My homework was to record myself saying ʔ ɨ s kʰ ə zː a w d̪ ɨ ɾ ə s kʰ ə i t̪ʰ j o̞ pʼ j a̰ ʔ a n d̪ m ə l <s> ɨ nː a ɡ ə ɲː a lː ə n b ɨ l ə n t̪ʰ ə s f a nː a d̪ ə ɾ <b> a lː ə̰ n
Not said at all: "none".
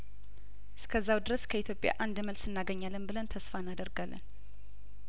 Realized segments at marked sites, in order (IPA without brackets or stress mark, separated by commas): s, ɡ